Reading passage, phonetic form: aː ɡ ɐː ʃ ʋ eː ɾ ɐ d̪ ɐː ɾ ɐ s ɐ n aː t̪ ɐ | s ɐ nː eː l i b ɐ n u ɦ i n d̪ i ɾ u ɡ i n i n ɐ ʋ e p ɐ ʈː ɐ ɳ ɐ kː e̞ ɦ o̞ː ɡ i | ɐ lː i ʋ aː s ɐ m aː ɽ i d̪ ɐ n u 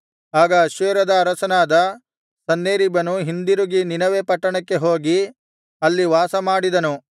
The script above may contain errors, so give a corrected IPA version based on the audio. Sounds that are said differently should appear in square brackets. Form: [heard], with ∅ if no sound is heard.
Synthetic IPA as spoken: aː ɡ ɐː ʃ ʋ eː ɾ ɐ d̪ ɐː ɾ ɐ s ɐ n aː [d̪] ɐ | s ɐ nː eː [ɾ] i b ɐ n u ɦ i n d̪ i ɾ u ɡ i n i n ɐ ʋ e p ɐ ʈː ɐ ɳ ɐ kː e̞ ɦ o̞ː ɡ i | ɐ lː i ʋ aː s ɐ m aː ɽ i d̪ ɐ n u

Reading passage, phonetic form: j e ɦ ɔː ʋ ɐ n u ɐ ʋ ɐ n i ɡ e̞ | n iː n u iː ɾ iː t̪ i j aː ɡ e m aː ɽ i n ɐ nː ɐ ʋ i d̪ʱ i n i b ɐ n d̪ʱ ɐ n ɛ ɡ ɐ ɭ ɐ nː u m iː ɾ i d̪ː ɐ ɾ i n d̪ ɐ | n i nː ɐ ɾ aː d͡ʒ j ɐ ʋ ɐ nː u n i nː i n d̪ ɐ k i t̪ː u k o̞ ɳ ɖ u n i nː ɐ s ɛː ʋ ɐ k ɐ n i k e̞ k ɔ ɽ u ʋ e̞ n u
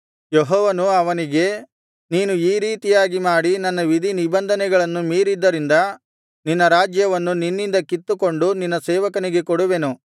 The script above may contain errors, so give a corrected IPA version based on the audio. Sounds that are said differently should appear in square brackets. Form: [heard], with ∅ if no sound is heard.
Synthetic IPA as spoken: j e ɦ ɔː ʋ ɐ n u ɐ ʋ ɐ n i ɡ e̞ | n iː n u iː ɾ iː t̪ i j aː ɡ [i] m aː ɽ i n ɐ nː ɐ ʋ i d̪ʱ i n i b ɐ n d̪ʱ ɐ n ɛ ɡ ɐ ɭ ɐ nː u m iː ɾ i d̪ː ɐ ɾ i n d̪ ɐ | n i nː ɐ ɾ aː d͡ʒ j ɐ ʋ ɐ nː u n i nː i n d̪ ɐ k i t̪ː u k o̞ ɳ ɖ u n i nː ɐ s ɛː ʋ ɐ k ɐ n i [ɡ] e̞ k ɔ ɽ u ʋ e̞ n u

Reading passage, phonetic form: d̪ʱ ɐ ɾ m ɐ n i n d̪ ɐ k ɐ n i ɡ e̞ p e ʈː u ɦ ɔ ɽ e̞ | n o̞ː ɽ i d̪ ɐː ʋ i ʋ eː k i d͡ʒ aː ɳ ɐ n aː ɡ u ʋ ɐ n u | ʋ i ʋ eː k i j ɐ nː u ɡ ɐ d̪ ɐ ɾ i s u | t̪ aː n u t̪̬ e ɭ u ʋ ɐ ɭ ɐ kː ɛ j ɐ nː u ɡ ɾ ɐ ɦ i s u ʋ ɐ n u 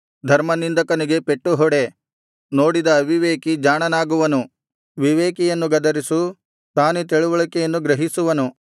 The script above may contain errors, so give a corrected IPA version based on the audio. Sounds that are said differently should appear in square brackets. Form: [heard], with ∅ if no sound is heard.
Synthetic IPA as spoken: d̪ʱ ɐ ɾ m ɐ n i n d̪ ɐ k ɐ n i ɡ e̞ p e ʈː u ɦ ɔ ɽ e̞ | n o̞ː ɽ i d̪ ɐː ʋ i ʋ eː k i d͡ʒ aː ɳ ɐ n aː ɡ u ʋ ɐ n u | ʋ i ʋ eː k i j ɐ nː u ɡ ɐ d̪ ɐ ɾ i s u | t̪ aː n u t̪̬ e ɭ u ʋ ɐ ɭ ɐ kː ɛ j ɐ nː u ɡ ɾ ɐ ɦ i s u ʋ ɐ n u

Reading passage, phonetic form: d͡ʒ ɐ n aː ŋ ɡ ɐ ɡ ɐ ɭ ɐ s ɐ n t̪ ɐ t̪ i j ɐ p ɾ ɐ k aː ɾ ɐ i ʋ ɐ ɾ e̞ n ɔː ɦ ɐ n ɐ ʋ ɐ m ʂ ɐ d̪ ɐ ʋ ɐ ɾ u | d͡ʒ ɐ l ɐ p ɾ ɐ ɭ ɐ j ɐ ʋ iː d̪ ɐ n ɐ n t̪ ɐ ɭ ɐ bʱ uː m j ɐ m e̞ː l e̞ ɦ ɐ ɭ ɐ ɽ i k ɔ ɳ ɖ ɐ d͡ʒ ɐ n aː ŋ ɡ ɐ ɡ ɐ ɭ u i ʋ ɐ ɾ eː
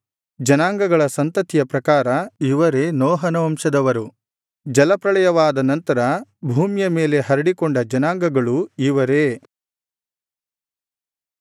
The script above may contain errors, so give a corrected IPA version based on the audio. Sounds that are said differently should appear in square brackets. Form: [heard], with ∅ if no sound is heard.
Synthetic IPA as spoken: d͡ʒ ɐ n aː ŋ ɡ ɐ ɡ ɐ ɭ ɐ s ɐ n t̪ ɐ t̪ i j ɐ p ɾ ɐ k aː ɾ ɐ i ʋ ɐ ɾ e̞ n ɔː ɦ ɐ n ɐ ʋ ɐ m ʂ ɐ d̪ ɐ ʋ ɐ ɾ u | d͡ʒ ɐ l ɐ p ɾ ɐ ɭ ɐ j ɐ ʋ [aː] d̪ ɐ n ɐ n t̪ ɐ [ɾ] ɐ bʱ uː m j ɐ m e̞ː l e̞ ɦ ɐ [ɾ] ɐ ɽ i k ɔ ɳ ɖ ɐ d͡ʒ ɐ n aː ŋ ɡ ɐ ɡ ɐ ɭ u i ʋ ɐ ɾ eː

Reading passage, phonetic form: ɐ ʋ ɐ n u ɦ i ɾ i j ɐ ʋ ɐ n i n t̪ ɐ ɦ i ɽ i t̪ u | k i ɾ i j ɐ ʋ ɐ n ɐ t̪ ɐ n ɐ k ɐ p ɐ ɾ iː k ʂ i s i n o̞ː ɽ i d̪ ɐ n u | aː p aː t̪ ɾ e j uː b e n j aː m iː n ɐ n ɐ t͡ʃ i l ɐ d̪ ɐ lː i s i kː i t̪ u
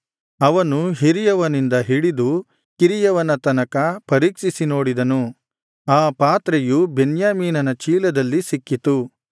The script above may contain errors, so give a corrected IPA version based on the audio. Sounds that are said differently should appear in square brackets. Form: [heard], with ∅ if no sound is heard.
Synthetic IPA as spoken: ɐ ʋ ɐ n u ɦ i ɾ i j ɐ ʋ ɐ n i n [d̪] ɐ ɦ i ɽ i [d̪] u | k i ɾ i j ɐ ʋ ɐ n ɐ t̪ ɐ n ɐ k ɐ p ɐ ɾ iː k ʂ i s i n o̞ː ɽ i d̪ ɐ n u | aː p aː t̪ ɾ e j [u] b e n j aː m iː n ɐ n ɐ t͡ʃ [iː] l ɐ d̪ ɐ lː i s i kː i t̪ u

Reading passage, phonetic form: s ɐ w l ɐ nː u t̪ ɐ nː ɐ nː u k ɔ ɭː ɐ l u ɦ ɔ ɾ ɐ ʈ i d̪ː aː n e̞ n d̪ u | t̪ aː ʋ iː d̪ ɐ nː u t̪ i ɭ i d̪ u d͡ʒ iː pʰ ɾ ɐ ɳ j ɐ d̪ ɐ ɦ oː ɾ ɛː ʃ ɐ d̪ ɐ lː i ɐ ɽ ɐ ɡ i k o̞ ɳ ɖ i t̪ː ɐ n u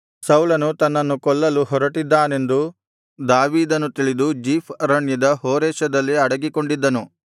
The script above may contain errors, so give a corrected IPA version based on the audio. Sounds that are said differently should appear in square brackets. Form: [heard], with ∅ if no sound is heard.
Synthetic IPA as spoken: s ɐ w l ɐ [n] u t̪ ɐ nː ɐ nː u k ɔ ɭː ɐ l u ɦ ɔ ɾ ɐ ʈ i d̪ː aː n e̞ n d̪ u | [d̪] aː ʋ iː d̪ ɐ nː u t̪ i ɭ i d̪ u d͡ʒ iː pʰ ɾ ɐ ɳ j ɐ d̪ ɐ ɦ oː ɾ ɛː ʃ ɐ d̪ ɐ lː i ɐ ɽ ɐ ɡ i k o̞ ɳ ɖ i [d̪ː] ɐ n u

